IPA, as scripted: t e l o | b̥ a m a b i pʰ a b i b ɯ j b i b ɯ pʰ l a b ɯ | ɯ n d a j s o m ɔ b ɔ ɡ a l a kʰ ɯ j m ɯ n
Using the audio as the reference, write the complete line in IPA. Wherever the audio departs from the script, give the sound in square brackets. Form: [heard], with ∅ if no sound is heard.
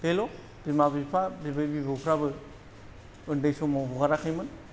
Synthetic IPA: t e l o | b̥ [i] m a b i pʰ a b i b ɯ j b i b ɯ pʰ [ɾ] a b ɯ | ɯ n d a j s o m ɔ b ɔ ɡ a [ɾ] a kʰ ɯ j m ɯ n